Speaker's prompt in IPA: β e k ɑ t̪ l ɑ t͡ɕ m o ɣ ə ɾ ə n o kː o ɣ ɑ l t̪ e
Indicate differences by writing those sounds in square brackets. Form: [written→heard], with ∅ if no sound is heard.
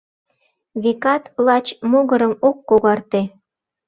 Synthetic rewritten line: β e k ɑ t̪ l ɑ t͡ɕ m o ɣ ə ɾ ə [n→m] o kː o ɣ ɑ [l→r] t̪ e

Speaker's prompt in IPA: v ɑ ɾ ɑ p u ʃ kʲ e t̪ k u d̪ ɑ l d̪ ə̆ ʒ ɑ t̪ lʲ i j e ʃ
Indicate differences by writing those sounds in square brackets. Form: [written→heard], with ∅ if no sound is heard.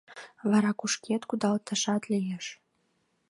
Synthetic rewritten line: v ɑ ɾ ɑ [p→k] u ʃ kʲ e t̪ k u d̪ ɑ l [d̪→t̪] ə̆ [ʒ→ʃ] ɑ t̪ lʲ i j e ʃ

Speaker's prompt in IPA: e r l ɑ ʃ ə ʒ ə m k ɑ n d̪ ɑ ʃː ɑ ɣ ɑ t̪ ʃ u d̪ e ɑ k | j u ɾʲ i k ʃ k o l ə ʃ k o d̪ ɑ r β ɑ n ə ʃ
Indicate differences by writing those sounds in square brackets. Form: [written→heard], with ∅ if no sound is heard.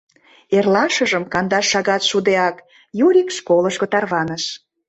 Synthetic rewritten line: e r l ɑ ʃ ə ʒ ə m k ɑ n d̪ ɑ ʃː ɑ ɣ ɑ t̪ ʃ u d̪ e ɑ k | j u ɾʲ i k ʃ k o l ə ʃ k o [d̪→t̪] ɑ r β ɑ n ə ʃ

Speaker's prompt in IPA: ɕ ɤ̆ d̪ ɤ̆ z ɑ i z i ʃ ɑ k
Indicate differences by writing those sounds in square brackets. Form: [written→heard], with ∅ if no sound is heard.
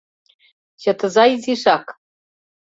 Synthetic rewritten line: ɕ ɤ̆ [d̪→t̪] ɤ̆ z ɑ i z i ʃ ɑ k

